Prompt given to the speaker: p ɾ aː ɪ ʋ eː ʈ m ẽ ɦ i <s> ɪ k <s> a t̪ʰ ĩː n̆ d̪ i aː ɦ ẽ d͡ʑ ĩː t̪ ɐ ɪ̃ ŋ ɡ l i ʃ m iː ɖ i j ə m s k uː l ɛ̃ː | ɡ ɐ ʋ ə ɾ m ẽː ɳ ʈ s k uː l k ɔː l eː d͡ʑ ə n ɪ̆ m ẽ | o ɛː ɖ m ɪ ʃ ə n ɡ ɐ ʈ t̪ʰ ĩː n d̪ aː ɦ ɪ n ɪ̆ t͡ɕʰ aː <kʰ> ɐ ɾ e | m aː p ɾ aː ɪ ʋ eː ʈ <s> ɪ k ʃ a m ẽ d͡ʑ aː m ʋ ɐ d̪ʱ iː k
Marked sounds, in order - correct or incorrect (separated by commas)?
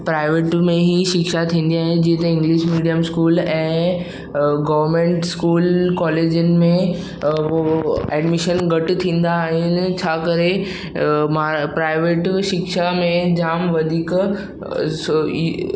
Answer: incorrect, incorrect, incorrect, incorrect